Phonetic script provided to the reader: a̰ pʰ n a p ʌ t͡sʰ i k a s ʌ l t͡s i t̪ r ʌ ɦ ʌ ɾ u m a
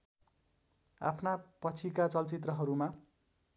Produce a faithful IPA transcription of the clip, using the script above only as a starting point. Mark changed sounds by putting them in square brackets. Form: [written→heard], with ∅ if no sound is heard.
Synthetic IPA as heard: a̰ pʰ n a p ʌ t͡sʰ i k a [s→t͡s] ʌ l t͡s i t̪ r ʌ ɦ ʌ ɾ u m a